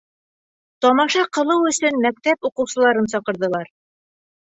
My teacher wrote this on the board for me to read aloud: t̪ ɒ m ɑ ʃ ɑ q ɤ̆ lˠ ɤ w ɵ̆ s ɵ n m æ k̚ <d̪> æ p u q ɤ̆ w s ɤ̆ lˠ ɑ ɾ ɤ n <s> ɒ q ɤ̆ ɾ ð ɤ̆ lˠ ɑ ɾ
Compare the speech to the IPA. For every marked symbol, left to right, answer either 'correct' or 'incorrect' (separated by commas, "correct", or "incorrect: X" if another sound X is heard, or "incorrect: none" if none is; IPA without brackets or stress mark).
incorrect: t̪, correct